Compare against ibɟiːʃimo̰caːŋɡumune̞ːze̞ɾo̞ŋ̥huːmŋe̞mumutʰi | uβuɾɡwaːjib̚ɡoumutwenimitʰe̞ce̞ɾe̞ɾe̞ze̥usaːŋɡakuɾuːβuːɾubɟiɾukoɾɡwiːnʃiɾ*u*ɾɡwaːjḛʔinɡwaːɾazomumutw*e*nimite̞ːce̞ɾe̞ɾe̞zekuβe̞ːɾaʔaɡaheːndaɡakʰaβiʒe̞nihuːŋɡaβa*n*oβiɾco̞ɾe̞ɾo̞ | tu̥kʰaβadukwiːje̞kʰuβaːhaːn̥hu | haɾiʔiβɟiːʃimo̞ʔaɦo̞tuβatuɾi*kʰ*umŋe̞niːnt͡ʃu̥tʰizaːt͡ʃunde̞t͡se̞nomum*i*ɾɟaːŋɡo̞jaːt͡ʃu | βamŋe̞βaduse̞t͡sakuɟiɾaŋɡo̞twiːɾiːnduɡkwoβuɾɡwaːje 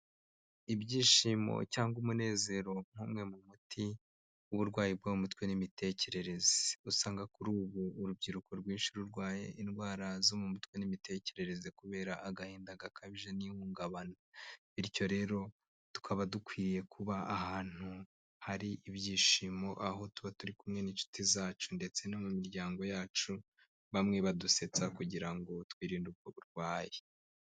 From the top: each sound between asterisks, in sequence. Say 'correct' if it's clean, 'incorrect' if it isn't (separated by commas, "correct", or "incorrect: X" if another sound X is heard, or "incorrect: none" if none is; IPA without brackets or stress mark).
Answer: correct, correct, correct, incorrect: k, correct